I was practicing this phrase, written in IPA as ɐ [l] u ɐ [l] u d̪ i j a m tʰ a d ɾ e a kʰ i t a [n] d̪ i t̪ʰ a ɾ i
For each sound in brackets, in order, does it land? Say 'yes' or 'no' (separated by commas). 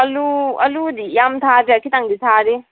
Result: yes, yes, no